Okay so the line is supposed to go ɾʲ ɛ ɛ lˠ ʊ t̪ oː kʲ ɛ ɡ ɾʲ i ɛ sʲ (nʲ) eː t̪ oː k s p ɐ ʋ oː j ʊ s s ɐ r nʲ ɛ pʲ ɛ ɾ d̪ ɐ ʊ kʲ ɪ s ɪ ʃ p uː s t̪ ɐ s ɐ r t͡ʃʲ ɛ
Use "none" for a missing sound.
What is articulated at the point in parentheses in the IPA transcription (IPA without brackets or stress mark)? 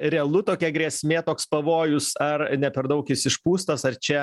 mʲ